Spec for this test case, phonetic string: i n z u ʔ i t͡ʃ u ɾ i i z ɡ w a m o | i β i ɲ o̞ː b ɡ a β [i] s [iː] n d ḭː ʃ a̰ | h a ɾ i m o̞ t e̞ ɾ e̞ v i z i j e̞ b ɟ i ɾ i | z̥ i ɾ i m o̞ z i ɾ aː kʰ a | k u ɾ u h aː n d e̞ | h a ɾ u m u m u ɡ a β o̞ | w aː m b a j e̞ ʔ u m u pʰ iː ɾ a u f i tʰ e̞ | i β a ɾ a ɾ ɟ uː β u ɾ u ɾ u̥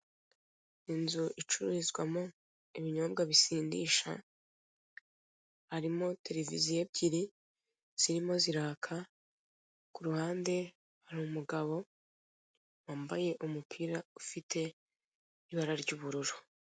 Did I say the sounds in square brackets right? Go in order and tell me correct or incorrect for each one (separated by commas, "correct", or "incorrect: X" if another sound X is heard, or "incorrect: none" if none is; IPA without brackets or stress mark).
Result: correct, correct